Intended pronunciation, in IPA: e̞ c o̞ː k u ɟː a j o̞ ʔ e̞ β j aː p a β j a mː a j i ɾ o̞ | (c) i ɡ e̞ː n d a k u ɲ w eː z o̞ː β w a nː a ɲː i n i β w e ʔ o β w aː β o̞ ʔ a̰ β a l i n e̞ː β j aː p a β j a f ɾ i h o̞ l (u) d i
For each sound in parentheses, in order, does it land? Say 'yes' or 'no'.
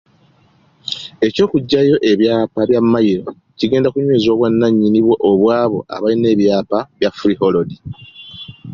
yes, no

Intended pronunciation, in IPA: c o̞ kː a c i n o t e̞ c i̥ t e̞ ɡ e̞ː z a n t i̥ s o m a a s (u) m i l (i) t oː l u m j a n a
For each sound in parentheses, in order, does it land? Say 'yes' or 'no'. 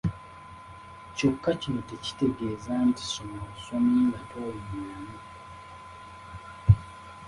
no, no

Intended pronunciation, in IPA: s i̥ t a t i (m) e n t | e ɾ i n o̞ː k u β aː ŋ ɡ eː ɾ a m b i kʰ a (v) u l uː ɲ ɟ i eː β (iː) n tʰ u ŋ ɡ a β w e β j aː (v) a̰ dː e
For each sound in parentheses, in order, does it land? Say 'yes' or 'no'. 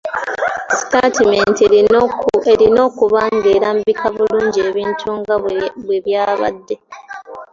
yes, no, yes, no

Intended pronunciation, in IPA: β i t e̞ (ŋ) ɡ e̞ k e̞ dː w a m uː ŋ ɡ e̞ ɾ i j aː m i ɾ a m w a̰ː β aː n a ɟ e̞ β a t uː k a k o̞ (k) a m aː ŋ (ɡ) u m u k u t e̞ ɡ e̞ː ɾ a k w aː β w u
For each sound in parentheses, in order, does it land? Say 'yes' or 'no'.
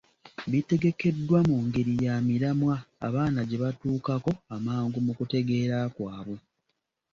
no, no, yes

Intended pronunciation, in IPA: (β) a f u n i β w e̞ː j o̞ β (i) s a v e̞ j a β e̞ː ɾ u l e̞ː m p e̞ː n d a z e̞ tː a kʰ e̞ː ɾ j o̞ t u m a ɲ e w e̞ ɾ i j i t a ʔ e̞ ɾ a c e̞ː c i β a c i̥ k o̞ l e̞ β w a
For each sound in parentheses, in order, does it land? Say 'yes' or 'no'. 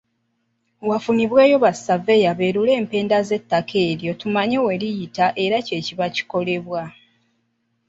no, no

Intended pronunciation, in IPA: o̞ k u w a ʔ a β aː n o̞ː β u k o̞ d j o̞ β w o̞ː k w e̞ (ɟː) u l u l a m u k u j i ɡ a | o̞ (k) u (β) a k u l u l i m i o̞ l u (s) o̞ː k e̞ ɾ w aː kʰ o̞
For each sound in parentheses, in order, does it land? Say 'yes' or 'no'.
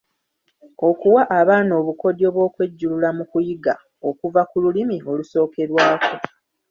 yes, yes, no, yes

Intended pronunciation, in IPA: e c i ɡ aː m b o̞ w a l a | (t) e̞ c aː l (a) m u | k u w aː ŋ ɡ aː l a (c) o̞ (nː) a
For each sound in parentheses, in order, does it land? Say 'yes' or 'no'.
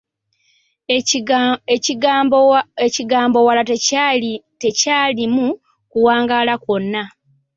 yes, no, no, yes

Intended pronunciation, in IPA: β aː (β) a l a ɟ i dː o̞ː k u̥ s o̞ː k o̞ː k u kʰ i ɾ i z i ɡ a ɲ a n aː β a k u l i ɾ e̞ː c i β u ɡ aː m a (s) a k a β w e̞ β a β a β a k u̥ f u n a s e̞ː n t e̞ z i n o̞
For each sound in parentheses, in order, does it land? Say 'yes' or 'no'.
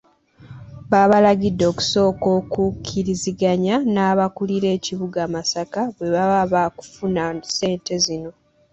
yes, yes

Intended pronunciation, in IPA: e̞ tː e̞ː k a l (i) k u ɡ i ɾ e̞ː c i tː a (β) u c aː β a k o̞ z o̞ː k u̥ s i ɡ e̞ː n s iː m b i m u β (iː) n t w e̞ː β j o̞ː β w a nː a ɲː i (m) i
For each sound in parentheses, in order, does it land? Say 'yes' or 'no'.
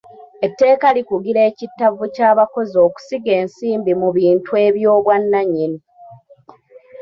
yes, no, yes, no

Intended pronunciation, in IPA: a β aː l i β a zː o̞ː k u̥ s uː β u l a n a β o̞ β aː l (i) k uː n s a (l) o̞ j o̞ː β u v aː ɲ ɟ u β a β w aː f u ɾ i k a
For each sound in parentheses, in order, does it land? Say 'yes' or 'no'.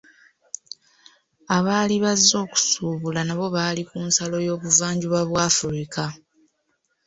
yes, yes

